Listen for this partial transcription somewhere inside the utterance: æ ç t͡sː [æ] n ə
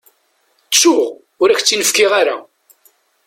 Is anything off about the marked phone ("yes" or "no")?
yes